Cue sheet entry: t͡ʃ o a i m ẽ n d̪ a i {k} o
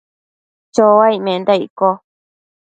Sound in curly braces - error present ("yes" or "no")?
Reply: no